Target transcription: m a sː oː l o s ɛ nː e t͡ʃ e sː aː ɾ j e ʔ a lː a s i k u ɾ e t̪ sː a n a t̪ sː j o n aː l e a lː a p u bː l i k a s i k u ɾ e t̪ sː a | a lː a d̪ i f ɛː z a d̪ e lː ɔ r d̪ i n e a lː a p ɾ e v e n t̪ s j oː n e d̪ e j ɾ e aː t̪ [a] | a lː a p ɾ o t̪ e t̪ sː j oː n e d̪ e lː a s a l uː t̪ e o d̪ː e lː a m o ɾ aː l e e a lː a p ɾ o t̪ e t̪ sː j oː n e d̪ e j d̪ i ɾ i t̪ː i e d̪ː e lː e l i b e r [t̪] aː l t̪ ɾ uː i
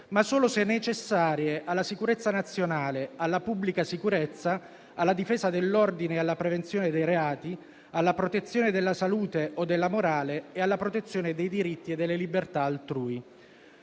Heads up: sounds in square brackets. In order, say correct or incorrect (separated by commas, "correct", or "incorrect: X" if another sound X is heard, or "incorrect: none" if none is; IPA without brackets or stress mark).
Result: incorrect: i, correct